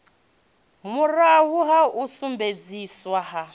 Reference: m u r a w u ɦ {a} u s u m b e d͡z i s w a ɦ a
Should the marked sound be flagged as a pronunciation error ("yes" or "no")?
no